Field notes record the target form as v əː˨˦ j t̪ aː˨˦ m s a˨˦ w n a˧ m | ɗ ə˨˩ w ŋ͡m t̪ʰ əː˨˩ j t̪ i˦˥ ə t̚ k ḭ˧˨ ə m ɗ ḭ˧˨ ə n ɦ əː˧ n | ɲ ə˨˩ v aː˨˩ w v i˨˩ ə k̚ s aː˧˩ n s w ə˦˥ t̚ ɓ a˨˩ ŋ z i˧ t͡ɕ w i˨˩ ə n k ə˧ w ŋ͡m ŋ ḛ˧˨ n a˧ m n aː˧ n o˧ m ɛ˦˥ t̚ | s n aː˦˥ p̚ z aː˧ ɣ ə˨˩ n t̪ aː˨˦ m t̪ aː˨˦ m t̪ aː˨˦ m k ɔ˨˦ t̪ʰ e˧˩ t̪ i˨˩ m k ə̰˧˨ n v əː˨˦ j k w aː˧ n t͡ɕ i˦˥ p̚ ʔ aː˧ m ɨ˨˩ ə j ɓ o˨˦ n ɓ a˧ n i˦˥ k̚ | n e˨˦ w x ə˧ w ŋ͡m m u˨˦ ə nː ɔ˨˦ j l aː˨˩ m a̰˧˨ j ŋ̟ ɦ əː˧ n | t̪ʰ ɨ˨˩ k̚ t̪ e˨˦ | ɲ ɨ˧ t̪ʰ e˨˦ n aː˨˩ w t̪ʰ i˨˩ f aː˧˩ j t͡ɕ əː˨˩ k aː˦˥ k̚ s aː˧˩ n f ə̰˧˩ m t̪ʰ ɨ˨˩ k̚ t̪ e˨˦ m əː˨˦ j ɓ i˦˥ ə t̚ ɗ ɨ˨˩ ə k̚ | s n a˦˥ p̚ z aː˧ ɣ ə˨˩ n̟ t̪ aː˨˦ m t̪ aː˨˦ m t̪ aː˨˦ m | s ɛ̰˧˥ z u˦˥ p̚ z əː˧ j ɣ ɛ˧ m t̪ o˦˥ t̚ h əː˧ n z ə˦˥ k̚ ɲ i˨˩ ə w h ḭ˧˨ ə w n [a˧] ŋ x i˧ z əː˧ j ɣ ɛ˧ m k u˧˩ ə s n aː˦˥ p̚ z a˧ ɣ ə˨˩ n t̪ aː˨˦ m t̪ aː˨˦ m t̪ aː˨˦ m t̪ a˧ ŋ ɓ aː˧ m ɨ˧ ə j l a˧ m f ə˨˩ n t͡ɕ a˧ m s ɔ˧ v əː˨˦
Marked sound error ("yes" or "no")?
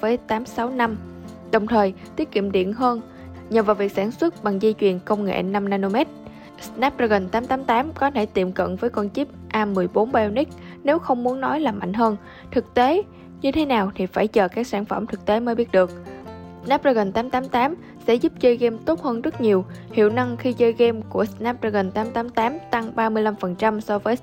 no